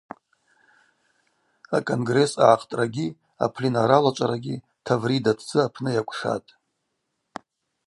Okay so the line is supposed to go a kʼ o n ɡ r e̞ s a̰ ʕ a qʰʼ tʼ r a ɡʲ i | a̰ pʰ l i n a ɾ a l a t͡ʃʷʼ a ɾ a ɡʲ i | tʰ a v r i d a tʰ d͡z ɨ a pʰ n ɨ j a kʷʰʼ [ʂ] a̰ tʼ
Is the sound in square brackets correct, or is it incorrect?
correct